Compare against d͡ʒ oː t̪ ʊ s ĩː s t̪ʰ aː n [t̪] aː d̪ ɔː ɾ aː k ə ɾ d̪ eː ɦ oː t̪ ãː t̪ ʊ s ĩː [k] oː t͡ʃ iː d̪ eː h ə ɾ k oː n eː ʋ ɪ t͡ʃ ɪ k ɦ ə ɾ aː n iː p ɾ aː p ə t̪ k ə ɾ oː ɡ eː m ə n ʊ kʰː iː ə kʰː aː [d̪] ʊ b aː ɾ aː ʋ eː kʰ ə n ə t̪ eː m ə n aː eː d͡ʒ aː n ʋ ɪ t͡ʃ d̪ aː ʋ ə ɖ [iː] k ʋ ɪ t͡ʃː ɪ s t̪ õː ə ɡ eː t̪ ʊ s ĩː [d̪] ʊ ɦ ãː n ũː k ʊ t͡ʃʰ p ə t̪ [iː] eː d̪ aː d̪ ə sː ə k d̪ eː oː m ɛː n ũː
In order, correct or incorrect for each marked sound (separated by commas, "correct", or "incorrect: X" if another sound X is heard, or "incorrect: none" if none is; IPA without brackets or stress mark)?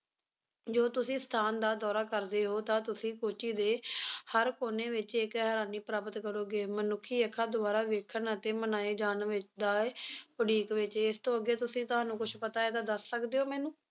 incorrect: d̪, correct, correct, correct, incorrect: t̪, incorrect: aː